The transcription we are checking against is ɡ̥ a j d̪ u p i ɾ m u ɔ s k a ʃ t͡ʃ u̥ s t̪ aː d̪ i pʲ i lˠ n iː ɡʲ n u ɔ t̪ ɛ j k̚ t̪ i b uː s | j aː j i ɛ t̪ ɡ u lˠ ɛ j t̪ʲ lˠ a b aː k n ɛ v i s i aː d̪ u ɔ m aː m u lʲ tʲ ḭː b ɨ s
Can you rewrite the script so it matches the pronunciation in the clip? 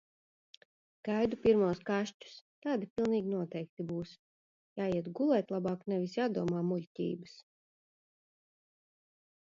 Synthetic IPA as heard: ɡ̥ a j d̪ u p i ɾ m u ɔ s k a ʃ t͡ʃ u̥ s t̪ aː d̪ i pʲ i lˠ n iː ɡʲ n u ɔ t̪ ɛ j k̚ t̪ i b uː s | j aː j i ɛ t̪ ɡ u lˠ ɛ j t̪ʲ lˠ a b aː k n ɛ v i s j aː d̪ u ɔ m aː m u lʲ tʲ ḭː b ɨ s